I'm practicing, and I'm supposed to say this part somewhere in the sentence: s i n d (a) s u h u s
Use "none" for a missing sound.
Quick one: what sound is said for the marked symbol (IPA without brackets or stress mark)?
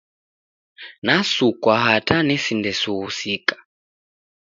ɛ